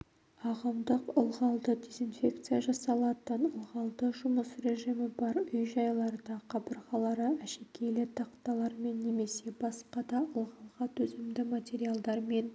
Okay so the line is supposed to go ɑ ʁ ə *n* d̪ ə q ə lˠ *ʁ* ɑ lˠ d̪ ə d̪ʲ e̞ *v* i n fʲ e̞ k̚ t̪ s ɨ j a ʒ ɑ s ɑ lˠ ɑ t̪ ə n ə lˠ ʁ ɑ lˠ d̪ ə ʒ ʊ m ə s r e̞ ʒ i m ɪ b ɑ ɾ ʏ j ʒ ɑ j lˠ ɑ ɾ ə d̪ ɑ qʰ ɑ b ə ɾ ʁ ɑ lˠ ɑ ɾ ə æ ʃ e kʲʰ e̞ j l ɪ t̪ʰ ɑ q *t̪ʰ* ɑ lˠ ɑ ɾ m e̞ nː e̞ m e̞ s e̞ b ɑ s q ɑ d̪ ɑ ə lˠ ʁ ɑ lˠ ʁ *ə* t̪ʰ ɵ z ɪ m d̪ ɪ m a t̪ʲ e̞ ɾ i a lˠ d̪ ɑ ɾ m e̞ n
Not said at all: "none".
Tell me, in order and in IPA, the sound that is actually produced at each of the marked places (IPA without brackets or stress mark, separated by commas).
m, ʁ, z, t̪, ɑ